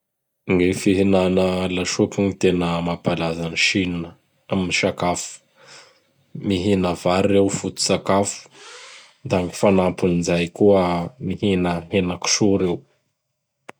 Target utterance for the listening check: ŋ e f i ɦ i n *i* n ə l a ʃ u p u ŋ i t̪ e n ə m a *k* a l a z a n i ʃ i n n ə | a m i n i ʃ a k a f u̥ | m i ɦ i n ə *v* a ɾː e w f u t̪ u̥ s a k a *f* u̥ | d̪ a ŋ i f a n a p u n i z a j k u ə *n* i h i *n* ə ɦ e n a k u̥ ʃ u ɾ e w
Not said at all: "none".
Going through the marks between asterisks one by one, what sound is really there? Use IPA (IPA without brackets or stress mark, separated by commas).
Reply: a, p, v, f, m, n